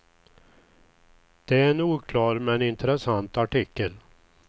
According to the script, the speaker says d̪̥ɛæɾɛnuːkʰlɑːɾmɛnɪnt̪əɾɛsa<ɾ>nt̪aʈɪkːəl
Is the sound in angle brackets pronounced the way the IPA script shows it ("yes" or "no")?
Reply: no